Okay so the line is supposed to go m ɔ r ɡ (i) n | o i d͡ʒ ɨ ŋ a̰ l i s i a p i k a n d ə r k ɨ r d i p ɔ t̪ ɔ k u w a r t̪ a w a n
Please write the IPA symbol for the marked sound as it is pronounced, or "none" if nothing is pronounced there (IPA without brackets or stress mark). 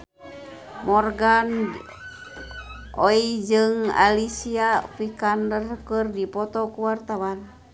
a